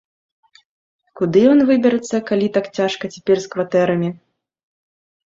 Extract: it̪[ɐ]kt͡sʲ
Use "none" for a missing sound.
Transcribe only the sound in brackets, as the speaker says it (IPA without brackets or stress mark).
a